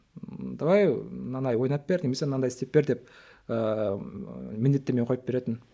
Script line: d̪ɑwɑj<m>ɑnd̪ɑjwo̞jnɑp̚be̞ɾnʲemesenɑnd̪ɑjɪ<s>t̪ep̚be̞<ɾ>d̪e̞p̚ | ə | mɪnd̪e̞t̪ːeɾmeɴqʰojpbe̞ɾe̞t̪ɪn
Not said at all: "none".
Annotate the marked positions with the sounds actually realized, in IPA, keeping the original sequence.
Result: n, s, ɾ

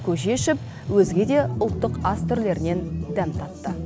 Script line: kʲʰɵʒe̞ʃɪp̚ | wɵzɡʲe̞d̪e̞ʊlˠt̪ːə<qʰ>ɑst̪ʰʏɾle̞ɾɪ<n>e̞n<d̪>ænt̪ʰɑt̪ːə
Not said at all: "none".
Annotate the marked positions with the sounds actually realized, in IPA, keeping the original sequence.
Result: q, n, d̪

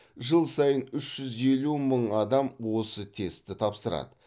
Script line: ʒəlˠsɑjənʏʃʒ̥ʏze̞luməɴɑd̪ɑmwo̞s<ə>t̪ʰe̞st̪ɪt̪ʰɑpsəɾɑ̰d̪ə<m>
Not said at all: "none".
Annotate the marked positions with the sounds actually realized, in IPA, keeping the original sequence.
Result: ə, none

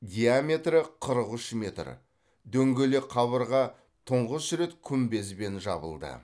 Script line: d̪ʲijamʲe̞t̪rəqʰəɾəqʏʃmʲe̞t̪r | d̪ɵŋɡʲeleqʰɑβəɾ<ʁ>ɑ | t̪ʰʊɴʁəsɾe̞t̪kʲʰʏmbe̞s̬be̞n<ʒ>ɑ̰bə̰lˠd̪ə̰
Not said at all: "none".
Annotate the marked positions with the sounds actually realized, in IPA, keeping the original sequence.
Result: ʁ, ʒ

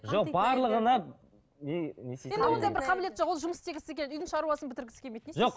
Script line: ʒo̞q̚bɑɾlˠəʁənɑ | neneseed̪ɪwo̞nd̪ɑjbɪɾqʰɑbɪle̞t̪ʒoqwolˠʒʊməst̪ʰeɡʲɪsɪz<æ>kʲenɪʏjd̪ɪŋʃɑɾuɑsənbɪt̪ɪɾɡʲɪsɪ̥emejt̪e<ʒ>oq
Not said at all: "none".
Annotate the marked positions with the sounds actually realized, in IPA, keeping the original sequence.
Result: e, ʒ

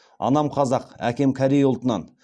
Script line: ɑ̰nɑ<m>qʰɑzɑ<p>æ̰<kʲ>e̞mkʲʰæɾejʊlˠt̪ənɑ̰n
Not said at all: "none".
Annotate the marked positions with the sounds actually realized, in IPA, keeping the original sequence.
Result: m, q, kʲ

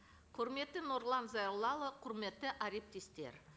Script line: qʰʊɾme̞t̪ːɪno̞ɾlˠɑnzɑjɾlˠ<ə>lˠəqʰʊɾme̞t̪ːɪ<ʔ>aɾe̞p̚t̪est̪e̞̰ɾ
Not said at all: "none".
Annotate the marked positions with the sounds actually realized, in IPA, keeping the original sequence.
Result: ɑ, ʔ

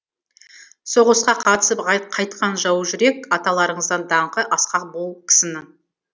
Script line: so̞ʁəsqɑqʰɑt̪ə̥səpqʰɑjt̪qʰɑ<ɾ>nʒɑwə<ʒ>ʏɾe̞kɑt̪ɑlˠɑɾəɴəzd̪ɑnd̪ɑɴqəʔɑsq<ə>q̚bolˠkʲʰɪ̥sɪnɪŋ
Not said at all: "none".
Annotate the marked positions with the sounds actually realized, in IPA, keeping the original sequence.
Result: none, ʒ, ɑ

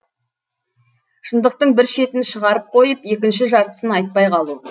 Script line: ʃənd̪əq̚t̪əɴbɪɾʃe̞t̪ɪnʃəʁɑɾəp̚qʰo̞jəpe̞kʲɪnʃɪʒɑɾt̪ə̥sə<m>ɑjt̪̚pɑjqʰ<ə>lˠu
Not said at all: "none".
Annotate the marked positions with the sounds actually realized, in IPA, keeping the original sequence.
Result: n, ɑ

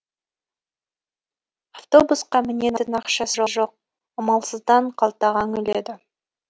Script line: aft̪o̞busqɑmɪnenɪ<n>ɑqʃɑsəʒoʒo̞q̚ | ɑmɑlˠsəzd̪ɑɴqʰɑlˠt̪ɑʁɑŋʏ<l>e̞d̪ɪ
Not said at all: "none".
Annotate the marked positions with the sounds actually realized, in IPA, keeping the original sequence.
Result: n, l

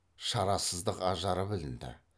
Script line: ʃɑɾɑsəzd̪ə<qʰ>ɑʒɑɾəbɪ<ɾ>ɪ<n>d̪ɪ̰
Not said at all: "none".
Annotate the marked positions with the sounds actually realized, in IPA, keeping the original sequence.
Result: q, l, n

